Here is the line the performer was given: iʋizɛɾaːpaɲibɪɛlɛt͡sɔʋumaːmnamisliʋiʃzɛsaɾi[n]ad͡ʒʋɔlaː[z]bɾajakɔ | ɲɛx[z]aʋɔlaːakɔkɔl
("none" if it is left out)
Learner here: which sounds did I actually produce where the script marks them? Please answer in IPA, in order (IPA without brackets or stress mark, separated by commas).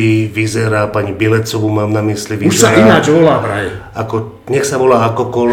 n, none, s